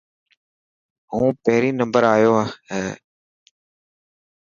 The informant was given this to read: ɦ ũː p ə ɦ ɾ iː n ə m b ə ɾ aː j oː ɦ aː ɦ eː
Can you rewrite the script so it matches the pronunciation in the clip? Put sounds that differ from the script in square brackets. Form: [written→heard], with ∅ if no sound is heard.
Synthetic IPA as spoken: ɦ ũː p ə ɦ ɾ iː n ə m b ə ɾ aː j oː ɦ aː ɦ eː